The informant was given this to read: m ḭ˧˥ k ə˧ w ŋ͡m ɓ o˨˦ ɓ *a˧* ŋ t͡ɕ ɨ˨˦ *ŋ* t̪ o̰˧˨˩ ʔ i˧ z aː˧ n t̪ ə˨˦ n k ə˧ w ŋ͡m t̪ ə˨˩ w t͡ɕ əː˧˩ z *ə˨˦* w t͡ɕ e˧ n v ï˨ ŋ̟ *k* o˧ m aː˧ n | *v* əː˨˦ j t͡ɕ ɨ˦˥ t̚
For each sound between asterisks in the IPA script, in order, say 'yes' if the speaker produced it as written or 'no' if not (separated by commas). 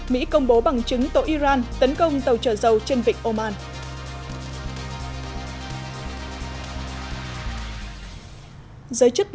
no, yes, no, no, no